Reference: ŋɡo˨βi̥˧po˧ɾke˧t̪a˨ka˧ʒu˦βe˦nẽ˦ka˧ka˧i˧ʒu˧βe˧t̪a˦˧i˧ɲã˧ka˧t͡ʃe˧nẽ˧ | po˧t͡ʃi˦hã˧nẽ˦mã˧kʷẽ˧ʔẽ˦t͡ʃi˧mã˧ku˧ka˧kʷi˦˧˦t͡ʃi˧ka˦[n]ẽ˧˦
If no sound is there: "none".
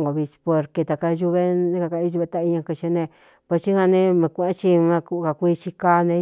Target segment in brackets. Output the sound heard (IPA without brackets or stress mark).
n